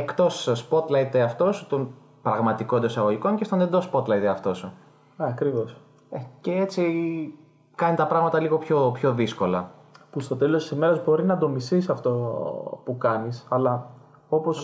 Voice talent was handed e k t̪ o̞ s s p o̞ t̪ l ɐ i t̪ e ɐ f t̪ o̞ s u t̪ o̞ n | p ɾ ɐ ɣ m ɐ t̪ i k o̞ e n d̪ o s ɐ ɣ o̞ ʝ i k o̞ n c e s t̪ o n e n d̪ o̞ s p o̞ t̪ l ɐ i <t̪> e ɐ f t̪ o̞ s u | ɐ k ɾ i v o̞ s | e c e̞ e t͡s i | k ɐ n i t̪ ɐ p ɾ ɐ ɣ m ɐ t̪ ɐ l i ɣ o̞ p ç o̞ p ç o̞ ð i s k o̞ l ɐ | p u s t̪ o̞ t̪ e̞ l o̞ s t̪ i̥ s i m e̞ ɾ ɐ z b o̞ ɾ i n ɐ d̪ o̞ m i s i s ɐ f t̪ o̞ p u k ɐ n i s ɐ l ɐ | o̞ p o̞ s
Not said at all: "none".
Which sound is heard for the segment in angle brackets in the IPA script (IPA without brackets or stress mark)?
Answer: t̪